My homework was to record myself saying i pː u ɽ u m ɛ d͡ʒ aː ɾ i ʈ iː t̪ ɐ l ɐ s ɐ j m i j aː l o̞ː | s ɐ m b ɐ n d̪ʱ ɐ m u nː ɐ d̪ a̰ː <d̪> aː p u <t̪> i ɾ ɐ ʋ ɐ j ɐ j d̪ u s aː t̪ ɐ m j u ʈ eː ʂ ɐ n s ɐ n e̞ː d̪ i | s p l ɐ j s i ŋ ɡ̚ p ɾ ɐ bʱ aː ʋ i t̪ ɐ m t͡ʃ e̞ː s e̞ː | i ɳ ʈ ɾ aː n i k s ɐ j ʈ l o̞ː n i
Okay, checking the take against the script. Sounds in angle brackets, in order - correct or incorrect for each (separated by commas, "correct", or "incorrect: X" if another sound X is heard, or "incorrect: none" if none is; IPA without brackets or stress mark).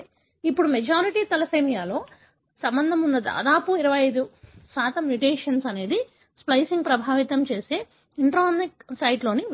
correct, incorrect: none